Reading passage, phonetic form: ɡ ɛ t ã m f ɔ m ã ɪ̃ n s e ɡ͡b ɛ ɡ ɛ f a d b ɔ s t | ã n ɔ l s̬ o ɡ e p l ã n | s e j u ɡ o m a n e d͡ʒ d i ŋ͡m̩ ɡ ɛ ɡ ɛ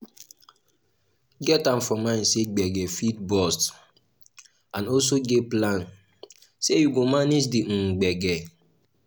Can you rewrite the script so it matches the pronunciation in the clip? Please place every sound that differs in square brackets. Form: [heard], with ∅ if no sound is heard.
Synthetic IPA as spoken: ɡ ɛ t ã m f ɔ m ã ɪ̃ n s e ɡ͡b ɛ ɡ ɛ f [i] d b ɔ s t | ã n ɔ l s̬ o ɡ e p l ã n | s e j u ɡ o m a n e d͡ʒ d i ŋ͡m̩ [ɡ͡b] ɛ ɡ ɛ